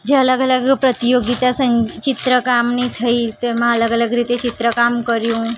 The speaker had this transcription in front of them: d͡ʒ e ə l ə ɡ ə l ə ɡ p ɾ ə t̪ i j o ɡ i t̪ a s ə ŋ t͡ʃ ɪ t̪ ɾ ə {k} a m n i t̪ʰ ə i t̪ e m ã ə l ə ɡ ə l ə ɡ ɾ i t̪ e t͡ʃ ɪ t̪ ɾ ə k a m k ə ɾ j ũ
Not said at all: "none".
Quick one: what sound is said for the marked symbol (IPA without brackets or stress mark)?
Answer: k